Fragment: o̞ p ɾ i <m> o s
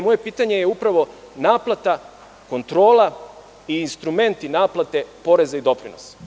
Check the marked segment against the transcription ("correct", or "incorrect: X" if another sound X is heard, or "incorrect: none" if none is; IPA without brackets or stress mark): incorrect: n